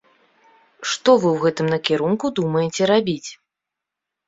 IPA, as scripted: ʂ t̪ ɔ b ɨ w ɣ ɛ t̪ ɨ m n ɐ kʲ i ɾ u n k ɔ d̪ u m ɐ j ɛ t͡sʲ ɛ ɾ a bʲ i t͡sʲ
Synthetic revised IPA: ʂ t̪ ɔ v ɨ w ɣ ɛ t̪ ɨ m n ɐ kʲ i ɾ u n k u d̪ u m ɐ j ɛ t͡sʲ ɛ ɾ a bʲ i t͡sʲ